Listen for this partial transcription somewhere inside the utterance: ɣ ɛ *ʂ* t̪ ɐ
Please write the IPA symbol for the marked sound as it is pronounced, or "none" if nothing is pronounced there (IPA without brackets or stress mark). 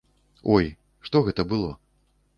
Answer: none